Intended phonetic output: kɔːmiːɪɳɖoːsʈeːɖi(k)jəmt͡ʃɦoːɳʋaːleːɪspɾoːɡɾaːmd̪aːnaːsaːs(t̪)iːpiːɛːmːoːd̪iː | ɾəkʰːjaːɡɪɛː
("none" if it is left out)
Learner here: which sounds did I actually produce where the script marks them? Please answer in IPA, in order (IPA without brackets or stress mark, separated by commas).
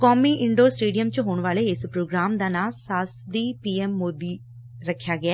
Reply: none, d̪